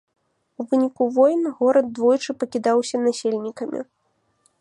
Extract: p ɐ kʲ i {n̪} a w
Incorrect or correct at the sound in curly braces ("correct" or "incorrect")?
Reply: incorrect